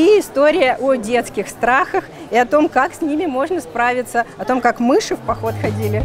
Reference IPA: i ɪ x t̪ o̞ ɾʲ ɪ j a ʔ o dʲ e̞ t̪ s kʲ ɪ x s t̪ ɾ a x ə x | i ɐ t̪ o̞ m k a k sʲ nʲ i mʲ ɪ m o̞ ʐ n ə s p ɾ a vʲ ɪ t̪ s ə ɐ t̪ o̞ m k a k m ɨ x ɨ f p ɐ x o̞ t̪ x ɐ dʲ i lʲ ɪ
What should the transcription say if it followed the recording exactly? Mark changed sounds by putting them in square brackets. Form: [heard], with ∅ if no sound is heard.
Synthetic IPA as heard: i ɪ [s] t̪ o̞ ɾʲ ɪ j [ə] ʔ o dʲ e̞ t̪ s kʲ ɪ x s t̪ ɾ a x ə x | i ɐ t̪ o̞ m k a k sʲ nʲ i mʲ ɪ m o̞ ʐ n ə s p ɾ a vʲ ɪ t̪ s ə ɐ t̪ o̞ m k a k m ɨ [ʂ] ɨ f p ɐ x o̞ t̪ x ɐ dʲ i lʲ ɪ

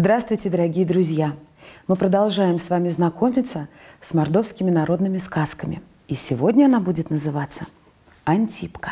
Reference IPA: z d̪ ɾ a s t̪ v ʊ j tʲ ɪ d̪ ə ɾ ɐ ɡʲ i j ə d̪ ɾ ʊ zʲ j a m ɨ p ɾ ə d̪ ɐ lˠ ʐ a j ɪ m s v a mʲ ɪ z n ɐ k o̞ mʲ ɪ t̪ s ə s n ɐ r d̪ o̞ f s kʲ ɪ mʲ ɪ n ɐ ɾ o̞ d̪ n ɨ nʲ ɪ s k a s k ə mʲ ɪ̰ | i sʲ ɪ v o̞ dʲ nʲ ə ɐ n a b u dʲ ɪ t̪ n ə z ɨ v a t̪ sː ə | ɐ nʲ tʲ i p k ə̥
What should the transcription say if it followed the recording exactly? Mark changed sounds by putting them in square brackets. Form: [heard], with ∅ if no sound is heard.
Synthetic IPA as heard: z d̪ ɾ a s t̪ v ʊ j tʲ ɪ d̪ ə ɾ ɐ ɡʲ i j ə d̪ ɾ ʊ zʲ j a m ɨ p ɾ ə d̪ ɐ lˠ ʐ a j ɪ m s v a mʲ ɪ z n ɐ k o̞ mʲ ɪ t̪ s ə s [m] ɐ r d̪ o̞ f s kʲ ɪ mʲ ɪ n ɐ ɾ o̞ d̪ n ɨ [mʲ] ɪ s k a s k ə mʲ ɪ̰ | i sʲ ɪ v o̞ dʲ nʲ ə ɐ n a b u dʲ ɪ t̪ n ə z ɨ v a t̪ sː ə | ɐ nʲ tʲ i p k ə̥

